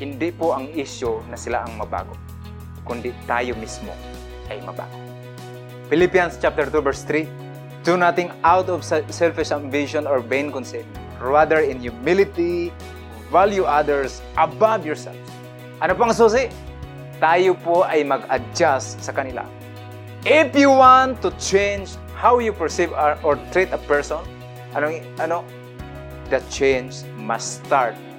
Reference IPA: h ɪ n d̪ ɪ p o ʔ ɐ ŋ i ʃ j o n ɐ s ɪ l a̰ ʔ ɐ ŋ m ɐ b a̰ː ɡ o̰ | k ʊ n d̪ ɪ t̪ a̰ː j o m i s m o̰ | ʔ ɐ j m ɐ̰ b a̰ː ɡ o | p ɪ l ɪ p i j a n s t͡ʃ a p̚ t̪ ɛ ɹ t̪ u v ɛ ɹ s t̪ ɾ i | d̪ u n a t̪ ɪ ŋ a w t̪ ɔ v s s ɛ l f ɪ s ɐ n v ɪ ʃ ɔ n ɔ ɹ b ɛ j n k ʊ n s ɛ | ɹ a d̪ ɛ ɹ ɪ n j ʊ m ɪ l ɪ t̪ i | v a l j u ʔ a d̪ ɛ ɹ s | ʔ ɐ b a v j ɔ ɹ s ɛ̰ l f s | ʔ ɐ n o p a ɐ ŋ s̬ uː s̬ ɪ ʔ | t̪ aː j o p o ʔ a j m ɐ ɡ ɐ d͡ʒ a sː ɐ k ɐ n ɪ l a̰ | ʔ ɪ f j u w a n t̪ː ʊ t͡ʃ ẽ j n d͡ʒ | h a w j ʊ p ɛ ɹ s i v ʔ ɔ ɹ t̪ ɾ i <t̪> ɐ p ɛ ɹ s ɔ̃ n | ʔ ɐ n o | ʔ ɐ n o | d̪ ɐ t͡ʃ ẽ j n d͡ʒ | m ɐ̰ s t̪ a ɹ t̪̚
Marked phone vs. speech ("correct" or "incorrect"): correct